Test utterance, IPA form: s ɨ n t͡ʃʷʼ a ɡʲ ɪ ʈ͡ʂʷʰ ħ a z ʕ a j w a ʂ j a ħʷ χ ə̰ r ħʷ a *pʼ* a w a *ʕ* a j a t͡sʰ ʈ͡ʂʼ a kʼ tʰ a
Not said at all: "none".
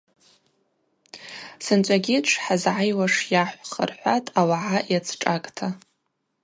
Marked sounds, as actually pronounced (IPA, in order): tʼ, ʕ

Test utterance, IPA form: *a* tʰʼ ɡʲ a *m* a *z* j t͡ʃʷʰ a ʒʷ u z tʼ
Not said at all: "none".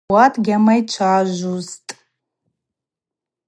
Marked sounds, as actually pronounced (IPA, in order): a, m, none

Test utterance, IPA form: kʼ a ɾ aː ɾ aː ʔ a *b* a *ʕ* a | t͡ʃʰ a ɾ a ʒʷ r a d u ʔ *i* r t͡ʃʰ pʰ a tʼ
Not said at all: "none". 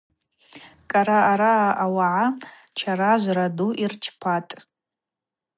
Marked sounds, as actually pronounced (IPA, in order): w, ʕ, i

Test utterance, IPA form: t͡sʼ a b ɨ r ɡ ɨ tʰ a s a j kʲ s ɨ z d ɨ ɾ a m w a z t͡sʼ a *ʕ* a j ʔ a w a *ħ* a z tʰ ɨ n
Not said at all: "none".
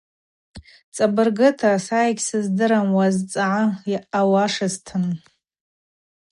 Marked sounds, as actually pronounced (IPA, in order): ʕ, ʂ

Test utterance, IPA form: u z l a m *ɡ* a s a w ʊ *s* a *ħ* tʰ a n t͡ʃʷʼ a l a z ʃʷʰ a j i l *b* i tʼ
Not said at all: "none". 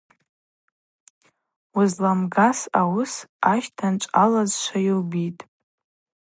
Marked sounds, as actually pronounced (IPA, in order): ɡ, s, ʃ, b

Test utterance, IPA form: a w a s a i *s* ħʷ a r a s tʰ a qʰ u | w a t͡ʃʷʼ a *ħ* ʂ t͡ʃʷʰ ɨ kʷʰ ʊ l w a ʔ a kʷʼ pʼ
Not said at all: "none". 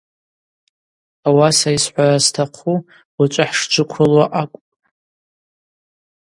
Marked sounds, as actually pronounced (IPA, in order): s, ħ

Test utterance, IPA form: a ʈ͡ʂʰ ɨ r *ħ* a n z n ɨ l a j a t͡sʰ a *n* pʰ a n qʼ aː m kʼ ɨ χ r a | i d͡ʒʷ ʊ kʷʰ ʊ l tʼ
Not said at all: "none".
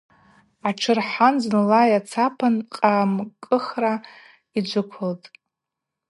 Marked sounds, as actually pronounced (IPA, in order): ħ, none

